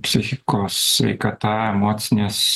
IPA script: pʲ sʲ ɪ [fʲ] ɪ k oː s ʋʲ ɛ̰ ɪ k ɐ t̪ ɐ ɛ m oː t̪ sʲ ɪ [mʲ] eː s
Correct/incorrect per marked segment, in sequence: incorrect, incorrect

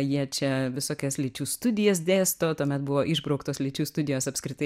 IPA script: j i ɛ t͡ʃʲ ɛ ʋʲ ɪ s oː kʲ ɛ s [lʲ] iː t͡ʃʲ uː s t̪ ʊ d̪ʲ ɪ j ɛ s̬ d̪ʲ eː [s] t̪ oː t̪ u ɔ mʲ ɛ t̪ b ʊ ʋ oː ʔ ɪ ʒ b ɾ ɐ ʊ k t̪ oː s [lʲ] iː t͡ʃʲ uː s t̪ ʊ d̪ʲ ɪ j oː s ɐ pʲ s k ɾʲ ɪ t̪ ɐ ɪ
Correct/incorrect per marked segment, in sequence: correct, correct, correct

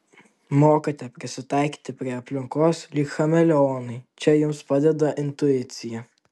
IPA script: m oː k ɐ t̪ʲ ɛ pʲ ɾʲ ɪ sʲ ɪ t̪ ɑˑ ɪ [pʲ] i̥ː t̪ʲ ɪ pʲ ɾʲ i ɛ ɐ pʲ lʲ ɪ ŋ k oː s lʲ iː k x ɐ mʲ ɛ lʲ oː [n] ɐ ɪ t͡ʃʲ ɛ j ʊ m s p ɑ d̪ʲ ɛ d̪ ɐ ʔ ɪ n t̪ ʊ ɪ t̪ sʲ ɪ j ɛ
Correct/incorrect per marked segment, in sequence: incorrect, correct

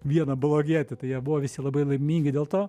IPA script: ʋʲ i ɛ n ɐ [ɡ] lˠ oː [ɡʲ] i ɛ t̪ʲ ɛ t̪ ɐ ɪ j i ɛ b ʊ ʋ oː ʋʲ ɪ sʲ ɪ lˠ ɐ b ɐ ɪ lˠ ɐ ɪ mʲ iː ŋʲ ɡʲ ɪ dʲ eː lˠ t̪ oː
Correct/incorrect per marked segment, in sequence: incorrect, correct

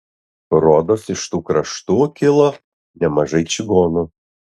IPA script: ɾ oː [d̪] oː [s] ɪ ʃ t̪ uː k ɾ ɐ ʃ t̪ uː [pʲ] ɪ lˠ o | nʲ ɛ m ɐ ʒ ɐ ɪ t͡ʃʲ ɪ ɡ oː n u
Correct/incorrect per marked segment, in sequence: correct, correct, incorrect

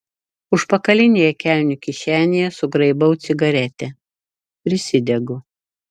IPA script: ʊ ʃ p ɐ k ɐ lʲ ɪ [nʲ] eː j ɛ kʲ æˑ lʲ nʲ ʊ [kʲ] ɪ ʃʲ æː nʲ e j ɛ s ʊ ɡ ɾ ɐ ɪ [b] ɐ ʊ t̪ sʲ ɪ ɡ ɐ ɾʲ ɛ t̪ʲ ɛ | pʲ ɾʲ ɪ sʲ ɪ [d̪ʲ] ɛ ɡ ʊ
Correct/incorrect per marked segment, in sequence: correct, correct, correct, correct

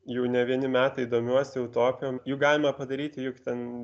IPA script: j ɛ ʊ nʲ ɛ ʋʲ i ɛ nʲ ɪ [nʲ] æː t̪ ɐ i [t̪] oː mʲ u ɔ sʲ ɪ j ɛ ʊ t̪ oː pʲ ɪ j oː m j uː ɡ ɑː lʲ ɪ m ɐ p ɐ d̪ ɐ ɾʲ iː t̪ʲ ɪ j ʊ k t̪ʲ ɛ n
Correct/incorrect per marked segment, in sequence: incorrect, incorrect

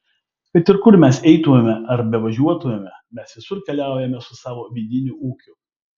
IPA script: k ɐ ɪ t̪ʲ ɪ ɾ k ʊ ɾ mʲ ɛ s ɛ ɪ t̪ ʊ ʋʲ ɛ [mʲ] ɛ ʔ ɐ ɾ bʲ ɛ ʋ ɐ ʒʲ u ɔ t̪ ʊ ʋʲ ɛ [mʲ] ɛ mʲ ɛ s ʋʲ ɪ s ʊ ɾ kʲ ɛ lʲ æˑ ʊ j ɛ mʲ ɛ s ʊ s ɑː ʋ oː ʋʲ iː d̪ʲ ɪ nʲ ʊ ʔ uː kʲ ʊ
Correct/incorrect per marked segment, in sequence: correct, correct

